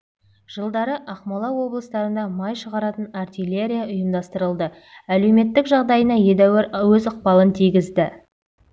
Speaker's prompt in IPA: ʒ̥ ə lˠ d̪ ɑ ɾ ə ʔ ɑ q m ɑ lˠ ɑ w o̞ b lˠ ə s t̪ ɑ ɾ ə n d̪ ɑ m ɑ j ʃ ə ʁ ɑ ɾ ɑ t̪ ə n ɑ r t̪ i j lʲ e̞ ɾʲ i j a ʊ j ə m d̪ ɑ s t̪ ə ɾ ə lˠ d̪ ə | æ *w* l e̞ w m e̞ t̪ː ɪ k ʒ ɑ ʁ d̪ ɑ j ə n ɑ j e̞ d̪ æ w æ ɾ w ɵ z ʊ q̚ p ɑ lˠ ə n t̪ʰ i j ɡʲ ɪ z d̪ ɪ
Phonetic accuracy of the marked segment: incorrect: none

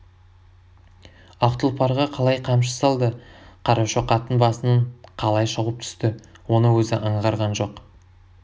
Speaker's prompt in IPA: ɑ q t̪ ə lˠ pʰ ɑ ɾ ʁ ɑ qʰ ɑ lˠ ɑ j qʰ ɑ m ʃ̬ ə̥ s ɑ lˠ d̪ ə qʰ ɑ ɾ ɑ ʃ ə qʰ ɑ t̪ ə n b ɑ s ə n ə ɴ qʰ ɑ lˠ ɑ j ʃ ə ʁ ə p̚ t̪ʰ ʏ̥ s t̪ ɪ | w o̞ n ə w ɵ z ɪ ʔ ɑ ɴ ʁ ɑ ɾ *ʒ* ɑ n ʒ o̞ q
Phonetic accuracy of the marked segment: incorrect: ʁ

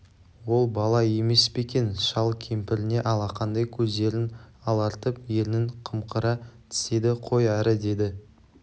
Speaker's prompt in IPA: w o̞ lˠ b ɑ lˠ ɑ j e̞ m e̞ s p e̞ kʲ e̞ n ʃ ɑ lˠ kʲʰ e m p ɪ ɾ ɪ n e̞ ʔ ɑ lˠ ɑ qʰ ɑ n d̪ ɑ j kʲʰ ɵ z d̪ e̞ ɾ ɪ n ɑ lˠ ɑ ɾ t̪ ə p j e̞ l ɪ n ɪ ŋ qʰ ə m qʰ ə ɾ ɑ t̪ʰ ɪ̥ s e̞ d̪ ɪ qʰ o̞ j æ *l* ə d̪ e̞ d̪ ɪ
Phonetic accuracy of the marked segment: incorrect: ɾ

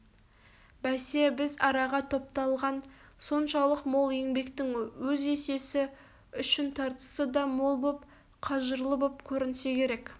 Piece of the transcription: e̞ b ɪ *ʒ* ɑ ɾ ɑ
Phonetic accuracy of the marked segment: incorrect: z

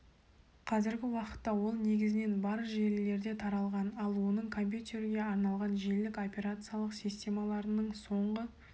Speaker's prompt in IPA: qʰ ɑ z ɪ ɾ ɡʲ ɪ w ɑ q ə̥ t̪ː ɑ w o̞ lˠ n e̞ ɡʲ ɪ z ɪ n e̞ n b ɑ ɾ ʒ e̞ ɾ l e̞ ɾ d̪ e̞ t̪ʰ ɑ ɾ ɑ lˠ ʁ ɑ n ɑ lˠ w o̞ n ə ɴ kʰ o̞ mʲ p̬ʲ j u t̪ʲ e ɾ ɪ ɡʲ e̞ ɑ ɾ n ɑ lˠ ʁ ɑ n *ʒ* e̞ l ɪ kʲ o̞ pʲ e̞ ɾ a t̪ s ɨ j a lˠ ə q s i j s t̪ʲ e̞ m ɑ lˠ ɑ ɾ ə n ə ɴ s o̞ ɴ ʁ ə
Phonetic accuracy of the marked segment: correct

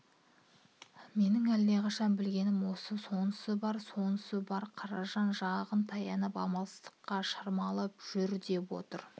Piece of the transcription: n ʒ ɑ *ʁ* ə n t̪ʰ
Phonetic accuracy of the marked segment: correct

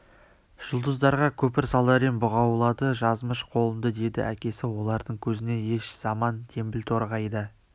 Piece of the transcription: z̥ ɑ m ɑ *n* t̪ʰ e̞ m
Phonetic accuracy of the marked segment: correct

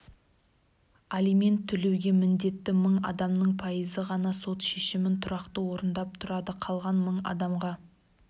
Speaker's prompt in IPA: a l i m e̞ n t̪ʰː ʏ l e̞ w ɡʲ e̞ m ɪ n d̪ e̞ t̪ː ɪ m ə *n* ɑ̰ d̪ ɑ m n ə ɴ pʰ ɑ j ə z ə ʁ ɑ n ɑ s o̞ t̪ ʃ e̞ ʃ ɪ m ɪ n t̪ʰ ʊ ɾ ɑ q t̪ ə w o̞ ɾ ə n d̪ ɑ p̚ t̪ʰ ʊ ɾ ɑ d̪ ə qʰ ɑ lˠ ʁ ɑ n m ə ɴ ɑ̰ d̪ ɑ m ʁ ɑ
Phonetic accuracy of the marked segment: incorrect: ɴ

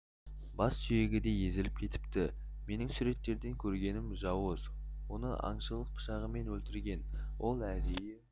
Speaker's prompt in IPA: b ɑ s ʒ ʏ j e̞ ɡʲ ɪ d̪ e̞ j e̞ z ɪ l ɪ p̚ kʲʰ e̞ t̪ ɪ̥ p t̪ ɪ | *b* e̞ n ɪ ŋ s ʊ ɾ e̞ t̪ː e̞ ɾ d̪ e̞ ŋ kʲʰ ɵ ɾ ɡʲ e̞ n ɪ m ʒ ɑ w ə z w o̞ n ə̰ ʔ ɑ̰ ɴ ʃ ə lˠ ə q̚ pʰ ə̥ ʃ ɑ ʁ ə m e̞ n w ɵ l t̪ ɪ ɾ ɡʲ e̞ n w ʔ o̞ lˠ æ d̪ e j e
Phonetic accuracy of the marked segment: incorrect: m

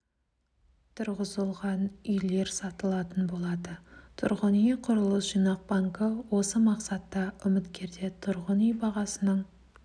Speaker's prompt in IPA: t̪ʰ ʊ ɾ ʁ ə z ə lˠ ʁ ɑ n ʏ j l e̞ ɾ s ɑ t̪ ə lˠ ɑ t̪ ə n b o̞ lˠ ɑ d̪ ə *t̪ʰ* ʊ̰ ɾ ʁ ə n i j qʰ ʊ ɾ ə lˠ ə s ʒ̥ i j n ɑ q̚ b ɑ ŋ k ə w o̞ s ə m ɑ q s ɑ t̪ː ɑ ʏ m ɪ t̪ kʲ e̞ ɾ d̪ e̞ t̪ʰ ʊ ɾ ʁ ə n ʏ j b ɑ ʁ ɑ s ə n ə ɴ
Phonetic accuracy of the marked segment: correct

